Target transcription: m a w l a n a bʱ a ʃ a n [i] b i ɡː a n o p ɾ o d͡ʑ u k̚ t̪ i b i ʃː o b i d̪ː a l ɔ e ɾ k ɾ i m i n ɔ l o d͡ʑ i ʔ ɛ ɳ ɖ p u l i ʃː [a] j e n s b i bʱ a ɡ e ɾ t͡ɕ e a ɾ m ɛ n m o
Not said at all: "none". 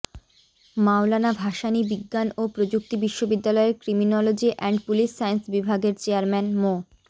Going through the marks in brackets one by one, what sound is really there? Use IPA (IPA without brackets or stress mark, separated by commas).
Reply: i, a